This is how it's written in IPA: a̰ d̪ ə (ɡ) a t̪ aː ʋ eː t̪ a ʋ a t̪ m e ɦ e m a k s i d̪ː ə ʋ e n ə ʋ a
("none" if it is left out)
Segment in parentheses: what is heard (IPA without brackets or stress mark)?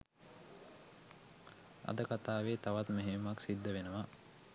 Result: k